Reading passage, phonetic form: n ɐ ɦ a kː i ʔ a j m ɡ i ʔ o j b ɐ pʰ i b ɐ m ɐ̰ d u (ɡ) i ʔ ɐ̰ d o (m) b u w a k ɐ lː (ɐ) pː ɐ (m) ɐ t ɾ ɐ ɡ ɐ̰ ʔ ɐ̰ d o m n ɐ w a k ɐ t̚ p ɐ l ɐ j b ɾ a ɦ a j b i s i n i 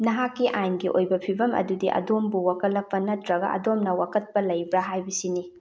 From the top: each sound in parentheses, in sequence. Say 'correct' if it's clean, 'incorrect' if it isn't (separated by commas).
incorrect, correct, correct, incorrect